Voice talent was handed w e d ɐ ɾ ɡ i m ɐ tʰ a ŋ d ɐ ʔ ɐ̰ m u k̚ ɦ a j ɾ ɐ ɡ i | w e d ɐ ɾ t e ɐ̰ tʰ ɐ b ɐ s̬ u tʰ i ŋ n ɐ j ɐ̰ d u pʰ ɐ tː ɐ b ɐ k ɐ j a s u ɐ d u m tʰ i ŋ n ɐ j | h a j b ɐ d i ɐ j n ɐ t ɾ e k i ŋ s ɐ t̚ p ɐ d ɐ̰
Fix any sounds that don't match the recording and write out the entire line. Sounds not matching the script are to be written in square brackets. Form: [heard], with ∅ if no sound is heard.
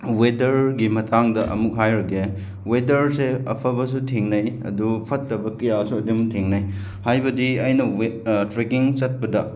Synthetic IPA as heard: w e d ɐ ɾ ɡ i m ɐ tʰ a ŋ d ɐ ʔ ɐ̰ m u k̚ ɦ a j ɾ ɐ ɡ [e] | w e d ɐ ɾ [s] e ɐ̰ [pʰ] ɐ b ɐ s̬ u tʰ i ŋ n ɐ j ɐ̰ d u pʰ ɐ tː ɐ b ɐ k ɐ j a s u ɐ d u m tʰ i ŋ n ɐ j | h a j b ɐ d i ɐ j n ɐ t ɾ e k i ŋ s ɐ t̚ p ɐ d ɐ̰

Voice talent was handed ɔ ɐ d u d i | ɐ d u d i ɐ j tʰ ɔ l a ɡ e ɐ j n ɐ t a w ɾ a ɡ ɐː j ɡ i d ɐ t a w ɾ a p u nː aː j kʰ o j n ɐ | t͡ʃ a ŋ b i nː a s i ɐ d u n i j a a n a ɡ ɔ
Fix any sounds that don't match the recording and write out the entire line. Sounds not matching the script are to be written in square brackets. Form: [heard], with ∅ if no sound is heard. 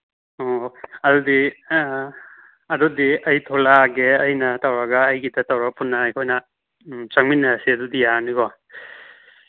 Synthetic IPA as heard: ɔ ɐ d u d i | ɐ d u d i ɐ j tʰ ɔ l a ɡ e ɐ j n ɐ t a w ɾ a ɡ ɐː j ɡ i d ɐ t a w ɾ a p u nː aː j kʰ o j n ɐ | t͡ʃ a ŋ [m] i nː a s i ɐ d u [d] i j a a n [i] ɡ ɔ

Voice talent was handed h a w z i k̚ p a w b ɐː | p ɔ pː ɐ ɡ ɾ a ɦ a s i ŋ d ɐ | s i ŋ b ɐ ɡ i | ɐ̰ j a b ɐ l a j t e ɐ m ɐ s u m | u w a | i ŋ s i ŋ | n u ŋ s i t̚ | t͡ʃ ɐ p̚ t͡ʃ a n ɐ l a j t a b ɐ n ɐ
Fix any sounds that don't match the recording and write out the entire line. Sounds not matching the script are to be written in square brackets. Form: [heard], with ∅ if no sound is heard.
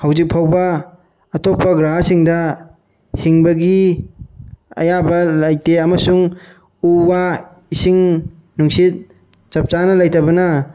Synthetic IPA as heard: h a w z i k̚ [pʰ] a w b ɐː | [t] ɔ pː ɐ ɡ ɾ a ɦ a s i ŋ d ɐ | [h] i ŋ b ɐ ɡ i | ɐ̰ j a b ɐ l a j t e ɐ m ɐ s u [ŋ] | u w a | i [∅] s i ŋ | n u ŋ s i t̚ | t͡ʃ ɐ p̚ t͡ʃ a n ɐ l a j t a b ɐ n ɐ

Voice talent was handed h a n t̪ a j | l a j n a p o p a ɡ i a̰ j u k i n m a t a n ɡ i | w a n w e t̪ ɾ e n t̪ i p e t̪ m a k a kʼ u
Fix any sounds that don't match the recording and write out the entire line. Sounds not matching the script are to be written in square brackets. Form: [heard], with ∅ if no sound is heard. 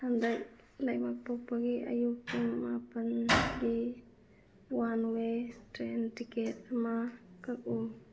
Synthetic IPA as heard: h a n [d̪] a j | l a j [m] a p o p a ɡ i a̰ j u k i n m a [p] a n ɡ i | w a n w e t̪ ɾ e n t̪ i [k] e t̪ m a k a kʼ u

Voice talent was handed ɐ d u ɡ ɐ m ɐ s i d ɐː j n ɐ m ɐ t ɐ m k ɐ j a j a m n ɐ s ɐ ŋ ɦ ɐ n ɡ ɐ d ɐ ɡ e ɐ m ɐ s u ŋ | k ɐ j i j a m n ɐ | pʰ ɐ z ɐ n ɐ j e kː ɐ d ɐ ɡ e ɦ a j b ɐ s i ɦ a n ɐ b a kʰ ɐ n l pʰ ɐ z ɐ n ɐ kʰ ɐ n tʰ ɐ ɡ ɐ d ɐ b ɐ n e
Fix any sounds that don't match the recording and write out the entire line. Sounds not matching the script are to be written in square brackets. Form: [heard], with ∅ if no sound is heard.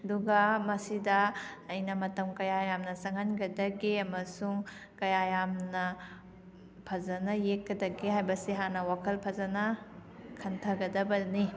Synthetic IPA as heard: ɐ d u ɡ ɐ m ɐ s i d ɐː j n ɐ m ɐ t ɐ m k ɐ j a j a m n ɐ s ɐ ŋ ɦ ɐ n ɡ ɐ d ɐ ɡ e ɐ m ɐ s u ŋ | k ɐ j [a] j a m n ɐ | pʰ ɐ z ɐ n ɐ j e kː ɐ d ɐ ɡ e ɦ a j b ɐ s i ɦ a n ɐ [w] a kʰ ɐ [∅] l pʰ ɐ z ɐ n ɐ kʰ ɐ n tʰ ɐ ɡ ɐ d ɐ b ɐ n [i]

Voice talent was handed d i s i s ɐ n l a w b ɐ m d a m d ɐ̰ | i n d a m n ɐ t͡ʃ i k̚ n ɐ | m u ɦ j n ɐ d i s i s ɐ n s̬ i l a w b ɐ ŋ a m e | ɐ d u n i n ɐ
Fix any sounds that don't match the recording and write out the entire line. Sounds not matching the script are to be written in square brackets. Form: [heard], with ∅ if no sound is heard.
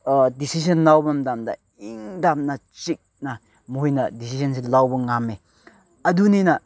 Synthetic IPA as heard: d i s i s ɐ n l a w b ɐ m d a m d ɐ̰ | i [ŋ] d a m n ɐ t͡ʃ i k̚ n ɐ | m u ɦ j n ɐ d i s i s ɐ n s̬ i l a w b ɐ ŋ a m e | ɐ d u n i n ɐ

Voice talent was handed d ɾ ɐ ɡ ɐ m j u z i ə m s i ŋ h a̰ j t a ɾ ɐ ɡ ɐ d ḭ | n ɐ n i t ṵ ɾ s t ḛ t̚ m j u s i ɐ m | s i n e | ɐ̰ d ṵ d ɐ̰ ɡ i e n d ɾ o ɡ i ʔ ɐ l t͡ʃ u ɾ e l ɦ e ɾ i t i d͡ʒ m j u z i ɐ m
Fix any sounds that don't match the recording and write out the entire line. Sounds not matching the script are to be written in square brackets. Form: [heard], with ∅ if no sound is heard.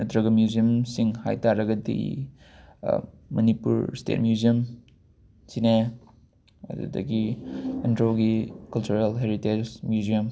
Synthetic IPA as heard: d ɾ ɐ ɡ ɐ m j u z i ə m s i ŋ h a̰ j t a ɾ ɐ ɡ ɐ d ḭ | [m] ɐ n i [p] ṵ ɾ s t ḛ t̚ m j u [z] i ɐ m | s i n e | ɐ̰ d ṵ d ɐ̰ ɡ i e n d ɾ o ɡ i [k] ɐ l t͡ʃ u ɾ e l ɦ e ɾ i t [e] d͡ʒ m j u z i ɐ m

